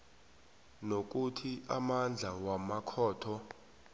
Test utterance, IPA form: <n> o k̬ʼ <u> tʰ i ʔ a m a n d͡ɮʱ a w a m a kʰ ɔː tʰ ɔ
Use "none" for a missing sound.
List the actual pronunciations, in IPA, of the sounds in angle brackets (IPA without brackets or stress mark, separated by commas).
n, u